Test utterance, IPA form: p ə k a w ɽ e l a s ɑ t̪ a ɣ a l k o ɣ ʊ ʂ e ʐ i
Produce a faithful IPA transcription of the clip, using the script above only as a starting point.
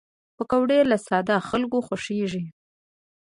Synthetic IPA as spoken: p ə k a w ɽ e l a s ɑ d̪ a x a l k o x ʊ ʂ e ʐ i

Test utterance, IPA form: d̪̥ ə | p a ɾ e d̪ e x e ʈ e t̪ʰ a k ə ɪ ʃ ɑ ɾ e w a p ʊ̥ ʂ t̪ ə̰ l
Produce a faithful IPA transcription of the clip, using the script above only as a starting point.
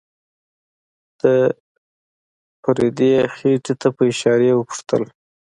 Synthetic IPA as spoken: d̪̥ ə | p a ɾ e d̪ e x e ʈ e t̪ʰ a p ə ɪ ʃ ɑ ɾ e w ə p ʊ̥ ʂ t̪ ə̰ l

